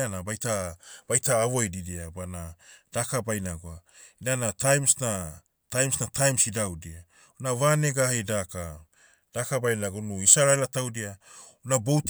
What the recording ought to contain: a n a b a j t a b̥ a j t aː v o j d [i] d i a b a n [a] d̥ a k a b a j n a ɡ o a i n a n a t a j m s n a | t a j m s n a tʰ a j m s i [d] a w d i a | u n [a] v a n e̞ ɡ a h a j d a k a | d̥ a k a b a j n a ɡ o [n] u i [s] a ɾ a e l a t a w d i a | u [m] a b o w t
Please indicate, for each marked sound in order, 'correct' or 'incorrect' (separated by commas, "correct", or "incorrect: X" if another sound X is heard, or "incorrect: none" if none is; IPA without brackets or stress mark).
correct, correct, correct, correct, correct, correct, incorrect: n